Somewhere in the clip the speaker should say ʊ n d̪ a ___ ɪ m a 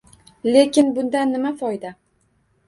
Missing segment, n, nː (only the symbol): nː